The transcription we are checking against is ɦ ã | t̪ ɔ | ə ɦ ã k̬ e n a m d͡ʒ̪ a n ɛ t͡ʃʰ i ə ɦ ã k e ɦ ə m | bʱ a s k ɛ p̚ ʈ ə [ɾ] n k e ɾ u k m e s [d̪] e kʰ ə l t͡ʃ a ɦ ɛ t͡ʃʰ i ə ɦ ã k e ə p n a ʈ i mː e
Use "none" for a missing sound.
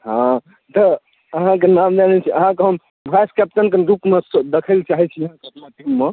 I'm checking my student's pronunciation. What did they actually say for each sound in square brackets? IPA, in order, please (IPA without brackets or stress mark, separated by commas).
none, d̪